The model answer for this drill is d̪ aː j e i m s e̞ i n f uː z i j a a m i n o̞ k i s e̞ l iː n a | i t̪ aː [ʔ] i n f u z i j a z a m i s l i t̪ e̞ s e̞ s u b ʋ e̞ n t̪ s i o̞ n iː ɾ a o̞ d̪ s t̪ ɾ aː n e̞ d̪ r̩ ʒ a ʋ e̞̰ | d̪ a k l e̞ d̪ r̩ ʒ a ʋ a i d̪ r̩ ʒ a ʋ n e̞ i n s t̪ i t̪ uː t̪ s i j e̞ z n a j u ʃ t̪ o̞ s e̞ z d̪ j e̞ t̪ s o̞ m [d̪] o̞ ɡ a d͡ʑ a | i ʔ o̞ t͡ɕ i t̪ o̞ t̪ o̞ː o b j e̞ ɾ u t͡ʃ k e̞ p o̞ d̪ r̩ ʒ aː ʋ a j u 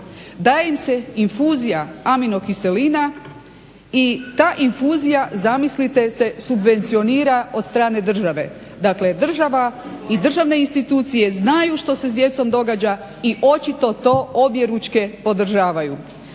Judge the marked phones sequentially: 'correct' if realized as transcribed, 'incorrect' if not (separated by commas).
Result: correct, correct